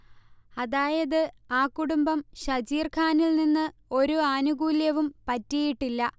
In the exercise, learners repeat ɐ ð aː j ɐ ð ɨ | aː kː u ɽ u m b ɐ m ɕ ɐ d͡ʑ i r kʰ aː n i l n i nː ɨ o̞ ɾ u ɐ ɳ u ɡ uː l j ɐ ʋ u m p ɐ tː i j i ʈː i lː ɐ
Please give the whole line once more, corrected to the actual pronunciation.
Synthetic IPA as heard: ɐ ð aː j ɐ ð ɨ | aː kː u ɽ u m b ɐ m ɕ ɐ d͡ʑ iː r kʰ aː n i l n i nː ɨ o̞ ɾ u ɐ n u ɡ uː l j ɐ ʋ u m p ɐ tː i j i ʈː i lː ɐ